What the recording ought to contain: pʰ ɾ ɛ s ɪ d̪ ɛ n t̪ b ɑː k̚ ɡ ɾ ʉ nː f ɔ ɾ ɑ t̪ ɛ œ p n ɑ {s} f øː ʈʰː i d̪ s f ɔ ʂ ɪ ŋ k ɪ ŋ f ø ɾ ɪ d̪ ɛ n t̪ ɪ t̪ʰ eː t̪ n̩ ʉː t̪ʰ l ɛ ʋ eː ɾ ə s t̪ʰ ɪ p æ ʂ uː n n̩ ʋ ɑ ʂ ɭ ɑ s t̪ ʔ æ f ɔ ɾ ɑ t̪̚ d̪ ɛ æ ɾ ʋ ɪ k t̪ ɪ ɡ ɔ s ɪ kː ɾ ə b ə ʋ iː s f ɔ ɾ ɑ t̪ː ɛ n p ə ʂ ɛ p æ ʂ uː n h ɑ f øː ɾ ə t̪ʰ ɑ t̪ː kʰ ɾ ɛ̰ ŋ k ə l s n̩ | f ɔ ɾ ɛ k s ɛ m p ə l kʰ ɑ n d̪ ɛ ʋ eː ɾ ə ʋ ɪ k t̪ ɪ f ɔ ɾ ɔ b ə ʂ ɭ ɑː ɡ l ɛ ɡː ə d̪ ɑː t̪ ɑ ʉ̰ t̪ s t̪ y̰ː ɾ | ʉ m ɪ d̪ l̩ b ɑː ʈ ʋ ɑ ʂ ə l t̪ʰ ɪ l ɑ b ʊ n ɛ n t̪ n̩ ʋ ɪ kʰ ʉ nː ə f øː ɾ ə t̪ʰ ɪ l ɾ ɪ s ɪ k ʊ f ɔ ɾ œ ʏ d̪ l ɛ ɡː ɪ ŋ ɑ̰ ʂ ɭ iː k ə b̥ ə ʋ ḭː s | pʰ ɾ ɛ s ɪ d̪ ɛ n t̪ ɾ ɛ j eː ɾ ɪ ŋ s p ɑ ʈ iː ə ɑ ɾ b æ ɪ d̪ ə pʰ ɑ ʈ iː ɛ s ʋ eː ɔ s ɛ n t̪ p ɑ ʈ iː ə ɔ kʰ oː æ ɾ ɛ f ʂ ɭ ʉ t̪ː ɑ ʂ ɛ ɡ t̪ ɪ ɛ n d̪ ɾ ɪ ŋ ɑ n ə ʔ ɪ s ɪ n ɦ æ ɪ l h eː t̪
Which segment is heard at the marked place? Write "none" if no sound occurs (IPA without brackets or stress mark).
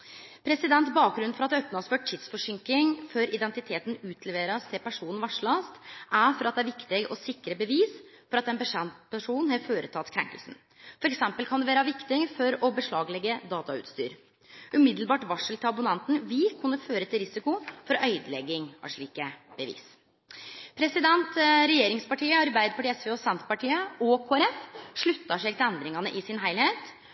s